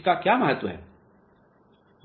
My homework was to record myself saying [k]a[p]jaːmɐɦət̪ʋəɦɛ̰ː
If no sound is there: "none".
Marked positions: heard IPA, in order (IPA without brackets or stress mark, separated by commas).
k, k